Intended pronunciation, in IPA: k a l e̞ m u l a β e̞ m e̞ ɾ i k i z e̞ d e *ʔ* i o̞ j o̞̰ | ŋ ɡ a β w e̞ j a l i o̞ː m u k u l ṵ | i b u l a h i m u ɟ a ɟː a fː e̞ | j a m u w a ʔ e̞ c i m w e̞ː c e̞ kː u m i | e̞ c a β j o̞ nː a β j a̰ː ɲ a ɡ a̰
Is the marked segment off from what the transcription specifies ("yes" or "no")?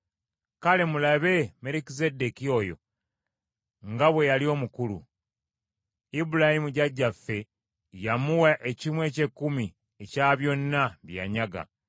yes